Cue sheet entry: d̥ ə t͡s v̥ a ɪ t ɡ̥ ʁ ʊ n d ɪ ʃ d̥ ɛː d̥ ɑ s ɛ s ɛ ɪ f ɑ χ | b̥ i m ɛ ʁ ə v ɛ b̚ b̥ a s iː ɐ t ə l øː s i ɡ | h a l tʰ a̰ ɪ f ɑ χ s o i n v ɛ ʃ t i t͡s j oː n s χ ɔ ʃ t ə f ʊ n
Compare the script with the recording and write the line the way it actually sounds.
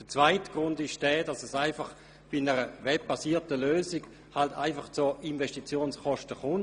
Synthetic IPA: d̥ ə t͡s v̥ a ɪ t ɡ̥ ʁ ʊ n d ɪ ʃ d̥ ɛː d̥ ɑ s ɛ s a ɪ f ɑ χ | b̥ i n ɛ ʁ ə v ɛ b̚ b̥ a s iː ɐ t ə l øː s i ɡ | h a l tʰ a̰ ɪ f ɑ χ t͡s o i n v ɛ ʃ t i t͡s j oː n s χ ɔ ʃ t ə χ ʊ n